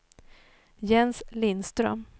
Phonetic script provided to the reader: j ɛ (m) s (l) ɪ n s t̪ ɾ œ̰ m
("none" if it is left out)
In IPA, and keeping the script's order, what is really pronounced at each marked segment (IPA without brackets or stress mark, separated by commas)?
n, l